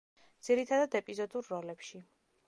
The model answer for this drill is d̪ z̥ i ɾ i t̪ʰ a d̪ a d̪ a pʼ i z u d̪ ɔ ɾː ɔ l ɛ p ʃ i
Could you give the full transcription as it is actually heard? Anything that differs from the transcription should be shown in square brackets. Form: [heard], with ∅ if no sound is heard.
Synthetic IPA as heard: d̪ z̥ i ɾ i t̪ʰ a d̪ a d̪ [ɛ] pʼ i z [ɔ] d̪ [u] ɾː ɔ l ɛ p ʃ i